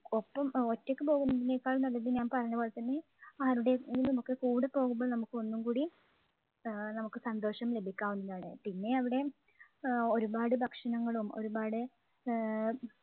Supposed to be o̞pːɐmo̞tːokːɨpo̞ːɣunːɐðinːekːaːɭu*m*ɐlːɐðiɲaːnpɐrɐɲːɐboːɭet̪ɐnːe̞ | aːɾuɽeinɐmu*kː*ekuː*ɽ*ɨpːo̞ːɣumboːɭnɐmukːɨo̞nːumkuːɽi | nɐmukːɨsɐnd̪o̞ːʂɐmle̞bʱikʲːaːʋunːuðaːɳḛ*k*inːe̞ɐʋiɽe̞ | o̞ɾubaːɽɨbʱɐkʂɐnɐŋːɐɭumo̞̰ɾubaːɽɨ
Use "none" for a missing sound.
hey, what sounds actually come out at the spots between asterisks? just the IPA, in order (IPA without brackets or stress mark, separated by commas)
n, kː, ɽ, p